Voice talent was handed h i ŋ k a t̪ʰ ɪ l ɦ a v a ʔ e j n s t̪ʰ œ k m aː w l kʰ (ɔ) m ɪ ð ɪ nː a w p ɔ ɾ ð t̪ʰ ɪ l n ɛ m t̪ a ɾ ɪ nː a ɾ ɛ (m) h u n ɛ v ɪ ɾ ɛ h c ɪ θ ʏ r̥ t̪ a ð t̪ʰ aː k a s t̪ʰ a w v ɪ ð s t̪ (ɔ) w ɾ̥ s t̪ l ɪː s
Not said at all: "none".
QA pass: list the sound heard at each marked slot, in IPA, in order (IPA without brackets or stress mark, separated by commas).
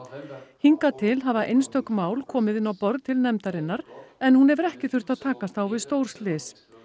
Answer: ɔː, n, o